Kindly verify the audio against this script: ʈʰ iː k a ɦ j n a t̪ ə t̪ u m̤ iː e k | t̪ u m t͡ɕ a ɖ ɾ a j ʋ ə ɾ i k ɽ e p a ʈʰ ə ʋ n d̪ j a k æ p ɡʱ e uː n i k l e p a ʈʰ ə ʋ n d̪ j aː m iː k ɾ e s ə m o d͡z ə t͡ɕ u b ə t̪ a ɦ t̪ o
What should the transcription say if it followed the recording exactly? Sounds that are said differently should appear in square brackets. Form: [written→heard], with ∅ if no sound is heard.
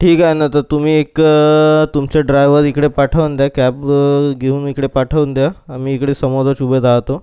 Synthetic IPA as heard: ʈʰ iː k a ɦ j n a t̪ ə t̪ u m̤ iː e k | t̪ u m t͡ɕ a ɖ ɾ a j ʋ ə ɾ i k ɽ e p a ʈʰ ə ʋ n d̪ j a k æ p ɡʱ e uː n i k [l→ɽ] e p a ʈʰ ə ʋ n d̪ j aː m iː k [ɾ→ɽ] e s ə m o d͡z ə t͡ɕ u b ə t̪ a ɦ t̪ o

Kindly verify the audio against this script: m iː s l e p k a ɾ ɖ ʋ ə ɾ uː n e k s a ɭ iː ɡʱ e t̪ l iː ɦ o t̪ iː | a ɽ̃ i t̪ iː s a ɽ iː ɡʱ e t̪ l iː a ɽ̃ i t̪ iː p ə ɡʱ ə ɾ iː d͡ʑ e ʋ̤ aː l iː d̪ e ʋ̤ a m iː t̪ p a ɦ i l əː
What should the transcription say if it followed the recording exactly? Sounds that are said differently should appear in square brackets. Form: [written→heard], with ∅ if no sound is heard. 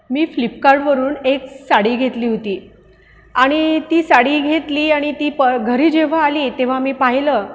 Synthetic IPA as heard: m iː [s→f] l [e→i] p k a ɾ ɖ ʋ ə ɾ uː n e k s a [ɭ→ɽ] iː ɡʱ e t̪ l iː ɦ o t̪ iː | a ɽ̃ i t̪ iː s a ɽ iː ɡʱ e t̪ l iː a ɽ̃ i t̪ iː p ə ɡʱ ə ɾ iː d͡ʑ e ʋ̤ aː l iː [d̪→t̪] e ʋ̤ a m iː [t̪→∅] p a ɦ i l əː

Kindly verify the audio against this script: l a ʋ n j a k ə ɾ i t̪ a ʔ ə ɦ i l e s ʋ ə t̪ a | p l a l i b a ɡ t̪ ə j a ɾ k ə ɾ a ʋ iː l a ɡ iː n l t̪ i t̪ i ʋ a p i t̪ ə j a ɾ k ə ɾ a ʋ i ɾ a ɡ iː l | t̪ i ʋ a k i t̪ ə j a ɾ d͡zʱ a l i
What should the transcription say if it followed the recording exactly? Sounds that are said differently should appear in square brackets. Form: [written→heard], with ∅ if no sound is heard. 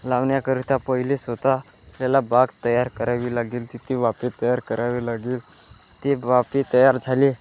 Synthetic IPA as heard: l a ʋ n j a k ə ɾ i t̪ a [ʔ→p] ə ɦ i l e s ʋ ə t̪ a | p l a l [i→a] b a ɡ t̪ ə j a ɾ k ə ɾ a ʋ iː l a ɡ iː [n→∅] l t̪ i t̪ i ʋ a p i t̪ ə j a ɾ k ə ɾ a ʋ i [ɾ→l] a ɡ iː l | t̪ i ʋ a [k→p] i t̪ ə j a ɾ d͡zʱ a l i

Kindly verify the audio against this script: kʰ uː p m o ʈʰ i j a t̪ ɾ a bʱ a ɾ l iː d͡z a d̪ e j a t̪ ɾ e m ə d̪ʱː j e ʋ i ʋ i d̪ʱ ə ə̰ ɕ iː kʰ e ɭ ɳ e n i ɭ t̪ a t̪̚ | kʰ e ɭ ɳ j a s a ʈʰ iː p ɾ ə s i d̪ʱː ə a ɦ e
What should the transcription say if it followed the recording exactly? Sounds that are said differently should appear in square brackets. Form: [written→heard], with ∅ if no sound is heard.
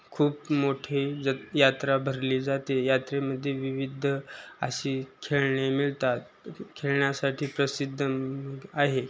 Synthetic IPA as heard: kʰ uː p m o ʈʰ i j a t̪ ɾ a bʱ [a→ə] ɾ l iː d͡z a [d̪→t̪] e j a t̪ ɾ e m ə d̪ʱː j e ʋ i ʋ i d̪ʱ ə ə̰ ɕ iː kʰ e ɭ ɳ e [n→m] i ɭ t̪ a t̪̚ | kʰ e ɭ ɳ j a s a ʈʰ iː p ɾ ə s i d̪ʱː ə a ɦ e

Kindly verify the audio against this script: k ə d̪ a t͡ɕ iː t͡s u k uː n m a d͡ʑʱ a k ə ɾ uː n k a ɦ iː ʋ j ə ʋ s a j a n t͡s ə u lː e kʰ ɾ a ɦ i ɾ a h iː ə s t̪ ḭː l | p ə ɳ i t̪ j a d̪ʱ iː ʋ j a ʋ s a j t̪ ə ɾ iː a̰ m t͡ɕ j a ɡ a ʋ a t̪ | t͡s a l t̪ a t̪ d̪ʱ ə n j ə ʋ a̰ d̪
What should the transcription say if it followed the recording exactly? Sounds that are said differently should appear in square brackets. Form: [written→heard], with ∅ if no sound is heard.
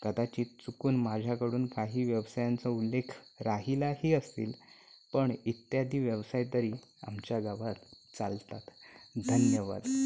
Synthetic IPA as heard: k ə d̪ a t͡ɕ iː t͡s u k uː n m a d͡ʑʱ a k ə [ɾ→ɽ] uː n k a ɦ iː ʋ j ə ʋ s a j a n t͡s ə u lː e kʰ ɾ a ɦ i [ɾ→l] a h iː ə s t̪ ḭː l | p ə ɳ i t̪ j a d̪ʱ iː ʋ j [a→ə] ʋ s a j t̪ ə ɾ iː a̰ m t͡ɕ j a ɡ a ʋ a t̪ | t͡s a l t̪ a t̪ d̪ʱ ə n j ə ʋ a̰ d̪

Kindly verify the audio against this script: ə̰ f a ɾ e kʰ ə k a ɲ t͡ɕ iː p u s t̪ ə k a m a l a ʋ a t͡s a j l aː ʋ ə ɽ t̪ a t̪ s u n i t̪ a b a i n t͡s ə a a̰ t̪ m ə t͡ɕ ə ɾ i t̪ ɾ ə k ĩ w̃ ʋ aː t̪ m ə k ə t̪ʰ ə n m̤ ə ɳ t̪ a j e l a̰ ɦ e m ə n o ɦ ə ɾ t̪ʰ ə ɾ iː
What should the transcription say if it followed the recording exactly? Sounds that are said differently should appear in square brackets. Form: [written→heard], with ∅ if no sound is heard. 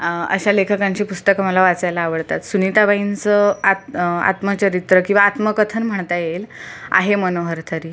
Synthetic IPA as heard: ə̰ [f→ɕ] a [ɾ→l] e kʰ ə k a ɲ t͡ɕ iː p u s t̪ ə k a m a l a ʋ a t͡s a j l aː ʋ ə ɽ t̪ a t̪ s u n i t̪ a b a i n t͡s ə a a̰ t̪ m ə t͡ɕ ə ɾ i t̪ ɾ ə k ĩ w̃ ʋ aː t̪ m ə k ə t̪ʰ ə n m̤ ə ɳ t̪ a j e l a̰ ɦ e m ə n o ɦ ə ɾ t̪ʰ ə ɾ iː

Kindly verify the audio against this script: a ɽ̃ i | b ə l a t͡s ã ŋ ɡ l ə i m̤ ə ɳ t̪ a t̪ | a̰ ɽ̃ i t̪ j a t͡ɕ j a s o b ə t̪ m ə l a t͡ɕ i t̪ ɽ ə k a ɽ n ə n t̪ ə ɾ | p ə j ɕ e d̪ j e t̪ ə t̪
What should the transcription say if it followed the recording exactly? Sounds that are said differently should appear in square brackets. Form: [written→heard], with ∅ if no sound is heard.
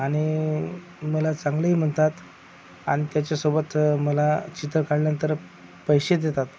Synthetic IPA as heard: a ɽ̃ i | [b→m] ə l a t͡s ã ŋ ɡ l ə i m̤ ə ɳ t̪ a t̪ | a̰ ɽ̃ i t̪ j a t͡ɕ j a s o b ə t̪ m ə l a t͡ɕ i t̪ [ɽ→ɾ] ə k a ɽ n ə n t̪ ə ɾ | p ə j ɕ e d̪ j e t̪ [ə→a] t̪

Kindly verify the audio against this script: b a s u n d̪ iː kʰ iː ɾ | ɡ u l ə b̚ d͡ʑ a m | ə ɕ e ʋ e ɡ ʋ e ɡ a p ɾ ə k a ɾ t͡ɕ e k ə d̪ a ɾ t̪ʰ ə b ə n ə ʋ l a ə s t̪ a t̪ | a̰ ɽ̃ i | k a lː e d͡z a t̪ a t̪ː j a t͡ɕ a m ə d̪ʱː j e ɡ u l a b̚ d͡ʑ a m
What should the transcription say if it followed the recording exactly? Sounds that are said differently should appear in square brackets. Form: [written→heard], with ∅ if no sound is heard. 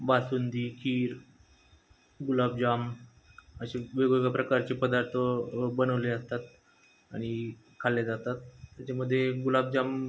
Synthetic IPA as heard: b a s u n d̪ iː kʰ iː ɾ | ɡ u l [ə→a] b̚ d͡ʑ a m | ə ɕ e ʋ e ɡ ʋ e ɡ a p ɾ ə k a ɾ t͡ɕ e [k→p] ə d̪ a ɾ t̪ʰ ə b ə n ə ʋ l [a→e] ə s t̪ a t̪ | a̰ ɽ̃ i | [k→kʰ] a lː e d͡z a t̪ a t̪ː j a t͡ɕ a m ə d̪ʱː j e ɡ u l a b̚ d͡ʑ a m

